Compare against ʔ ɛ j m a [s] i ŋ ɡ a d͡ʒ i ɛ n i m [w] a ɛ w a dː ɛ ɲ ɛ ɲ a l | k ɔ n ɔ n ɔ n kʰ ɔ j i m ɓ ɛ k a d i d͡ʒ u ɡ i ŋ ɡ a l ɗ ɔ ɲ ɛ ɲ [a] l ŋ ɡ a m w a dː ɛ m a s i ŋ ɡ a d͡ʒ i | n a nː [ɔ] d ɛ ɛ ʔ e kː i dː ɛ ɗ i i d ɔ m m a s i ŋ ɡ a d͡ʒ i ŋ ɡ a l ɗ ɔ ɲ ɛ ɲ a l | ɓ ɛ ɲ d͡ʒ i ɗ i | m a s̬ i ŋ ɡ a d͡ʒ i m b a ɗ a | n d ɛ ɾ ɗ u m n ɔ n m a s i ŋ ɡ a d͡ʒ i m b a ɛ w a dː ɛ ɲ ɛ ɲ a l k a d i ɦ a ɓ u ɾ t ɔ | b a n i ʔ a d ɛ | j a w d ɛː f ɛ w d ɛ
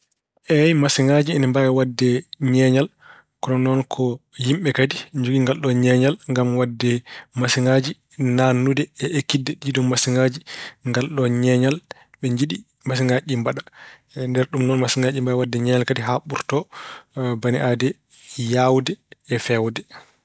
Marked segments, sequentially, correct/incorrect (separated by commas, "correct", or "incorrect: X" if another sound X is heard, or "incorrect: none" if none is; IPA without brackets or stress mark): correct, incorrect: b, correct, incorrect: u